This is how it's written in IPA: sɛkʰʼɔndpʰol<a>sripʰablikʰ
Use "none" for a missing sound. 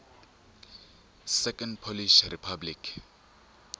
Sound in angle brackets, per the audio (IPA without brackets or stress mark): i